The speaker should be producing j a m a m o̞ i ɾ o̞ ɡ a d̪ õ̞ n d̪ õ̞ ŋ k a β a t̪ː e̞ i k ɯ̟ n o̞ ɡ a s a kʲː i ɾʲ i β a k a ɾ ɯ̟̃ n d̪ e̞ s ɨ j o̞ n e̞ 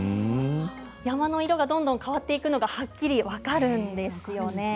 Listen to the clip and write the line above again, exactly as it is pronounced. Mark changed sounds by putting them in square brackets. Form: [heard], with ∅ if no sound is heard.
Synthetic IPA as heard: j a m a [n] o̞ i ɾ o̞ ɡ a d̪ õ̞ n d̪ õ̞ ŋ k a β a t̪ː e̞ i k ɯ̟ n o̞ ɡ a [h] a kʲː i ɾʲ i β a k a ɾ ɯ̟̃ n d̪ e̞ s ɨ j o̞ n e̞